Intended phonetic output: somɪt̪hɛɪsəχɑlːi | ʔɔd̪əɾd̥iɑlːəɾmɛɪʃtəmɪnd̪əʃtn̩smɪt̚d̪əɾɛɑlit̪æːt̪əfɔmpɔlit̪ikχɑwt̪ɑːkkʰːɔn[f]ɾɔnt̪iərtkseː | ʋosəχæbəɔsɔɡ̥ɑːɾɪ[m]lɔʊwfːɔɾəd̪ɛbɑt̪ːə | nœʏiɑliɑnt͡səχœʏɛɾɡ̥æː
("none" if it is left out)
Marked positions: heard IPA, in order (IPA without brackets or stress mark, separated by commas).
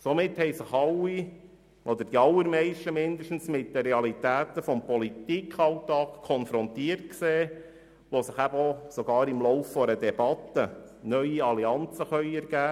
f, m